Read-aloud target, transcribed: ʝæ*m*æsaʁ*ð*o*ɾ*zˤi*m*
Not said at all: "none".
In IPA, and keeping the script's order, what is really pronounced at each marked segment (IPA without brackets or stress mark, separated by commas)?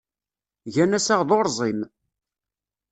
n, ð, ɾ, m